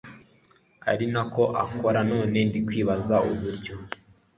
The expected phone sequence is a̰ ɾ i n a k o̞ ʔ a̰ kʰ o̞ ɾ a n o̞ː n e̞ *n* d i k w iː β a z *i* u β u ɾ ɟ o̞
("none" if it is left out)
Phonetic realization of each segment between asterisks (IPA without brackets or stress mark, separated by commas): n, a